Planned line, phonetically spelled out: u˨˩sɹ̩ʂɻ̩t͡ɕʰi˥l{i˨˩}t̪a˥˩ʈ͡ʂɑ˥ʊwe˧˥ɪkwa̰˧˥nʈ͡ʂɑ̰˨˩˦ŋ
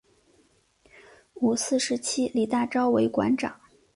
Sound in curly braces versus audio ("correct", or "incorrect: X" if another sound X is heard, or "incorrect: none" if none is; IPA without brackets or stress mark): correct